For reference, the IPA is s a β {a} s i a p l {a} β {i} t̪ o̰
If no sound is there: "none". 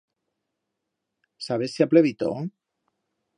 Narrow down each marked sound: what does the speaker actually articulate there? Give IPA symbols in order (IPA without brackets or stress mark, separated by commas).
e, e, i